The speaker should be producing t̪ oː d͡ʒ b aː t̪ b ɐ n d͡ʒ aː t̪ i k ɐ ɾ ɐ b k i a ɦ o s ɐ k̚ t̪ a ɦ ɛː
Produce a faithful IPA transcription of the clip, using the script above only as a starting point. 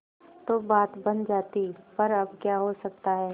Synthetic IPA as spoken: t̪ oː b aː t̪ b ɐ n d͡ʒ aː t̪ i p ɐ ɾ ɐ b k j a ɦ o s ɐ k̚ t̪ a ɦ ɛː